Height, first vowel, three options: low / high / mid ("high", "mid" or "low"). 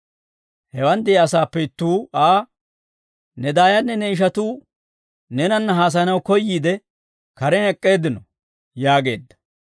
mid